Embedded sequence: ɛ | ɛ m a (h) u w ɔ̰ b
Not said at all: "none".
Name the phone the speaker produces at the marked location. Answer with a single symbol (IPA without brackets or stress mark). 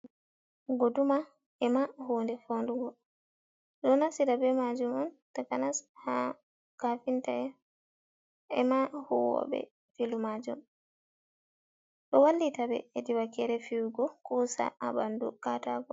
h